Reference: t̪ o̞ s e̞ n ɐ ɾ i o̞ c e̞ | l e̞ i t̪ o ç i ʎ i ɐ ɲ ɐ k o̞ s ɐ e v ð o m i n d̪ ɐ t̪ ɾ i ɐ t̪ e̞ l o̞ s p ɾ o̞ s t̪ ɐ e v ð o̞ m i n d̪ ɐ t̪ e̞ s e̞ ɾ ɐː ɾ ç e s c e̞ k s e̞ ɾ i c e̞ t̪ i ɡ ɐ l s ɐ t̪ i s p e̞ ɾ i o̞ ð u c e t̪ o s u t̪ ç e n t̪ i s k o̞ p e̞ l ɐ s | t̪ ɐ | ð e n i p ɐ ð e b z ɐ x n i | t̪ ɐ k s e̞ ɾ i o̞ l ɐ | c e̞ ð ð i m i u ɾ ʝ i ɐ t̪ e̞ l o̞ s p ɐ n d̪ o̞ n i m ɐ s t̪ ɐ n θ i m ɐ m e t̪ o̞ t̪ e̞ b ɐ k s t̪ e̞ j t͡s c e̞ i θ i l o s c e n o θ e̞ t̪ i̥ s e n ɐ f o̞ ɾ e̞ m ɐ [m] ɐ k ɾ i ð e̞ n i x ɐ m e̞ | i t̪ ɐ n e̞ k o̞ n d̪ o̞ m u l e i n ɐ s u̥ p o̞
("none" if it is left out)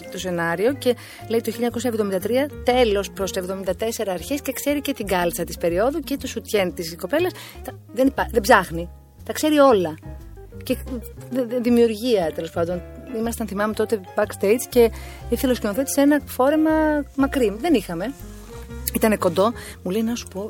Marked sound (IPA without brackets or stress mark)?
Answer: m